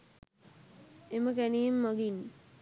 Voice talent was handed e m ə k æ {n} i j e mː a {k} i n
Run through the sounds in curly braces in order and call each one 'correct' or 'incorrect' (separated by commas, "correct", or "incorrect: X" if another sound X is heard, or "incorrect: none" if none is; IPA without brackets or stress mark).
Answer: correct, incorrect: ɡ